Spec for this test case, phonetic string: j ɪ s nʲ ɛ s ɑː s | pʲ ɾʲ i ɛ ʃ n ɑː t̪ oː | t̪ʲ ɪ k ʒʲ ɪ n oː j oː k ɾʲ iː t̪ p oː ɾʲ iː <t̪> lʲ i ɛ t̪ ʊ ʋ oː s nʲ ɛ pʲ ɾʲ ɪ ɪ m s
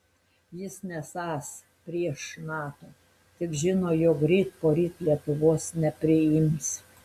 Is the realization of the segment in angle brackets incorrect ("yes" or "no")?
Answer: no